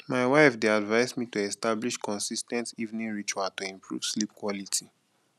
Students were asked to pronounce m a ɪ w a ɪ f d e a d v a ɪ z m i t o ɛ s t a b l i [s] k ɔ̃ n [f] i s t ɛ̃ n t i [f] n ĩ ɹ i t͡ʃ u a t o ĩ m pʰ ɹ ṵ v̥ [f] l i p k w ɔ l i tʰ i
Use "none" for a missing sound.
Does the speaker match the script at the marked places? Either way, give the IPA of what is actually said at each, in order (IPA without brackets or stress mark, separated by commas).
ʃ, s, v, s